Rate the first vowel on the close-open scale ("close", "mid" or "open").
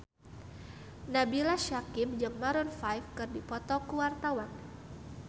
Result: open